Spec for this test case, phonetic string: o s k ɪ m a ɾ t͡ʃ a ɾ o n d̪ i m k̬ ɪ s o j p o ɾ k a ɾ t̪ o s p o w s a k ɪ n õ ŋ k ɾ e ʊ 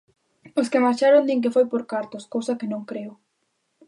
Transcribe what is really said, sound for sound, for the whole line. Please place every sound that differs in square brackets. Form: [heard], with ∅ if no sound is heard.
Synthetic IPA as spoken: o s k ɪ m a ɾ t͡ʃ a ɾ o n d̪ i [ŋ] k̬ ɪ [f] o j p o ɾ k a ɾ t̪ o s [k] o w s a k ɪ n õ ŋ k ɾ e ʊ